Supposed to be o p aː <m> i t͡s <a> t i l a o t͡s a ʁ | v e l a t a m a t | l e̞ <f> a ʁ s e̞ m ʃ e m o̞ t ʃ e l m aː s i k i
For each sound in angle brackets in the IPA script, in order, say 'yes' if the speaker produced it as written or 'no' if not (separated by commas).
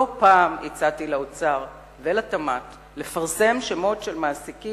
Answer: yes, yes, yes